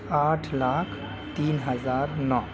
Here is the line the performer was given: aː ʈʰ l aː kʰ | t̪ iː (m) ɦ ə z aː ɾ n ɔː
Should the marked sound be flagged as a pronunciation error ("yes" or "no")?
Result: yes